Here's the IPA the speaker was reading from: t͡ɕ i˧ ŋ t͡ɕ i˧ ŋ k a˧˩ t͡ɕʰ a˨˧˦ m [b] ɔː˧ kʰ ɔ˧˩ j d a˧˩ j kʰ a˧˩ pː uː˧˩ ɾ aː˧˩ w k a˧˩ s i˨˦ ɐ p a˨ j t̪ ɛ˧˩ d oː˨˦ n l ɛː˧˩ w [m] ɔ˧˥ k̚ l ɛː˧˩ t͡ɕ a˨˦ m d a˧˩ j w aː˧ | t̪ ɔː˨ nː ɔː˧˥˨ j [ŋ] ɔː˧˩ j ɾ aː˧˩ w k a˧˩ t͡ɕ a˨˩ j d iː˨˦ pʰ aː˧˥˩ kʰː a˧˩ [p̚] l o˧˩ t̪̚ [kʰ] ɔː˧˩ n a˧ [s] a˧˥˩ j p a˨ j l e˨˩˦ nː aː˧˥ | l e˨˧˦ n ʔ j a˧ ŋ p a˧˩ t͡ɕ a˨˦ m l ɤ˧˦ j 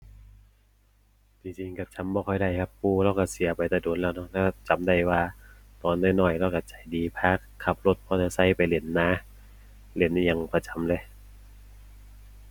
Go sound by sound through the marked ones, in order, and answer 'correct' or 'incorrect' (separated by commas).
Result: correct, incorrect, incorrect, correct, incorrect, correct